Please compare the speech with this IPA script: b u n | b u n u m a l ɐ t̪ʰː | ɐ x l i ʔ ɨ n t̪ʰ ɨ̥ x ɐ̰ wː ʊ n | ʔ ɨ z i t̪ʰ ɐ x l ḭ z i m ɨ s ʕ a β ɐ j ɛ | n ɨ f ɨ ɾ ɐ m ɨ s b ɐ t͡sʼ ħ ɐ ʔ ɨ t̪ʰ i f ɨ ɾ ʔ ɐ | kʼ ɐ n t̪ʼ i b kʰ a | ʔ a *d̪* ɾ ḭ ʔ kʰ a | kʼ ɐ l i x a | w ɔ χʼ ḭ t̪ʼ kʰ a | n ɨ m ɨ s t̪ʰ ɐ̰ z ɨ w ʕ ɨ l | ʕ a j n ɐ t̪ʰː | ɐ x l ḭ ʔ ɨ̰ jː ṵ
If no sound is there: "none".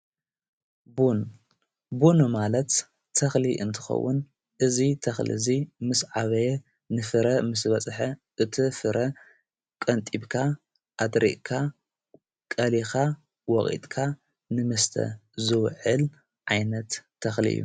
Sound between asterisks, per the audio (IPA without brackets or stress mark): d̪